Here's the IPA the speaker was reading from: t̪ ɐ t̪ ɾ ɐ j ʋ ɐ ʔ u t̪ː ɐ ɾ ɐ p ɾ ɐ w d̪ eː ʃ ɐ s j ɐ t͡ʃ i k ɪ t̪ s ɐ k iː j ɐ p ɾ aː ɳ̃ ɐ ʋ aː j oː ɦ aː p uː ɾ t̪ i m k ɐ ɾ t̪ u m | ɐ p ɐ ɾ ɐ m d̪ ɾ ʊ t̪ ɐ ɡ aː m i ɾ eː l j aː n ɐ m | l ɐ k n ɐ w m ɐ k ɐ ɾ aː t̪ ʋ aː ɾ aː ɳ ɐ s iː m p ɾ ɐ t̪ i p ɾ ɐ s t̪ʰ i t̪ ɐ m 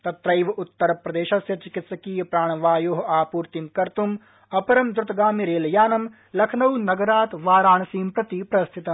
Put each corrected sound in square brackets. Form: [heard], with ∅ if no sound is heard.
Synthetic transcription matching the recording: t̪ ɐ t̪ ɾ ɐ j ʋ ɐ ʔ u t̪ː ɐ ɾ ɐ p ɾ ɐ [∅] d̪ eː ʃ ɐ s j ɐ t͡ʃ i k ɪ t̪ s ɐ k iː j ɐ p ɾ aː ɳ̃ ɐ ʋ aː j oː ɦ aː p uː ɾ t̪ i m k ɐ ɾ t̪ u m | ɐ p ɐ ɾ ɐ m d̪ ɾ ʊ t̪ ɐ ɡ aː m i ɾ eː l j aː n ɐ m | l ɐ [kʰ] n ɐ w [n] ɐ [ɡ] ɐ ɾ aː t̪ ʋ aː ɾ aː ɳ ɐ s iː m p ɾ ɐ t̪ i p ɾ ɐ s t̪ʰ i t̪ ɐ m